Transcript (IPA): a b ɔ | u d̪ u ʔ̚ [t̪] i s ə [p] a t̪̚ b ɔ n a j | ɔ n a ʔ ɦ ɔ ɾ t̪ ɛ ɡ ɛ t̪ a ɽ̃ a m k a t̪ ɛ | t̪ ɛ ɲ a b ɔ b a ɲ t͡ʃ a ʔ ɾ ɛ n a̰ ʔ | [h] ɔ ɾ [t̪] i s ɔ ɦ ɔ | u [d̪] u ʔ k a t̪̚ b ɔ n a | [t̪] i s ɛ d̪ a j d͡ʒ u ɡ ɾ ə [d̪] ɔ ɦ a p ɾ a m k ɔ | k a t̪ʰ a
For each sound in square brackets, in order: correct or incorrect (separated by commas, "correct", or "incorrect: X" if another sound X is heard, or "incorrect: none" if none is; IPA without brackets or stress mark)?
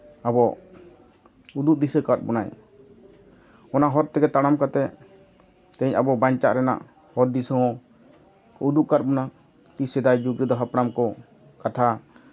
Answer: incorrect: d̪, incorrect: k, correct, incorrect: d̪, correct, correct, correct